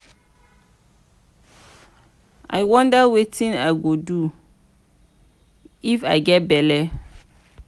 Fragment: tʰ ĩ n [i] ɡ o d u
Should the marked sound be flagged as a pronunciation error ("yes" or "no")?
yes